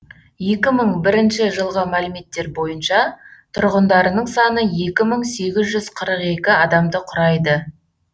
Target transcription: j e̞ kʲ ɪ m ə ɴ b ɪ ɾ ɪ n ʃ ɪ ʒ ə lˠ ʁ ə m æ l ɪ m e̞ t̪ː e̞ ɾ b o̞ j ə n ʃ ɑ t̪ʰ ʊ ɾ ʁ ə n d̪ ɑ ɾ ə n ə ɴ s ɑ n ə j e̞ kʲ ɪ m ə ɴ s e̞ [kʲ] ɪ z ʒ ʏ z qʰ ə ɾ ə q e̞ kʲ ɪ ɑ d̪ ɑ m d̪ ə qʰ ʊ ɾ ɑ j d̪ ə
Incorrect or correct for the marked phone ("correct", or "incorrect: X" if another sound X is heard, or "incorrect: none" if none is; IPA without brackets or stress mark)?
incorrect: ɡʲ